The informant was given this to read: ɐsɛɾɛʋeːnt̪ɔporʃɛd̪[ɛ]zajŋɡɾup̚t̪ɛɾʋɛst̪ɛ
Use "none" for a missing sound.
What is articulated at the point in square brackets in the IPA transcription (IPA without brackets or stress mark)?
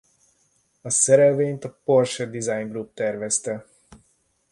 i